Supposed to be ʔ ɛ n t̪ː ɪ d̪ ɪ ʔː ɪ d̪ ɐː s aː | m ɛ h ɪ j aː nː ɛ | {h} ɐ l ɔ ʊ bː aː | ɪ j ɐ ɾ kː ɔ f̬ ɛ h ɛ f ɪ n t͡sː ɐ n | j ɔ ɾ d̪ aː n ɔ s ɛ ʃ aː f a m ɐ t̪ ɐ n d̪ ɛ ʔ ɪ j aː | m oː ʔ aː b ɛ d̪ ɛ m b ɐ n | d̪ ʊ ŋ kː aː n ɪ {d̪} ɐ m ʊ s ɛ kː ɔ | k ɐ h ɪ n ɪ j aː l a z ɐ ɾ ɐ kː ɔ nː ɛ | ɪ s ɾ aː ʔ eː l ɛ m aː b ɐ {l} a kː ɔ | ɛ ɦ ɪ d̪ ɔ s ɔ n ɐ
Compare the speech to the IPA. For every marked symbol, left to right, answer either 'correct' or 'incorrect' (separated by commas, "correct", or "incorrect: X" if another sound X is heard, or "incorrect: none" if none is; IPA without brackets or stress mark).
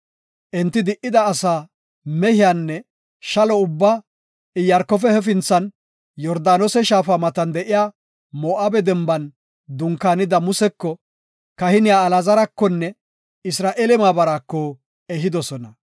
incorrect: ʃ, correct, incorrect: ɾ